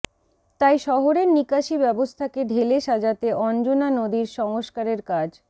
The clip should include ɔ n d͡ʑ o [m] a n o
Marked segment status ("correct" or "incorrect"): incorrect